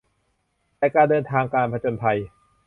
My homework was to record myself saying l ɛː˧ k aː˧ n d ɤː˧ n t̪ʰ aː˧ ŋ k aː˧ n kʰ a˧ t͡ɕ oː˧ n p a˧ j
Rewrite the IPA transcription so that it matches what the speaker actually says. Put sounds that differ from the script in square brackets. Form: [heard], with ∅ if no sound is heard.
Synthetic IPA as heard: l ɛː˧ k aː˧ n d ɤː˧ n t̪ʰ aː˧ ŋ k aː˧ n [pʰ] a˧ t͡ɕ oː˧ n [pʰ] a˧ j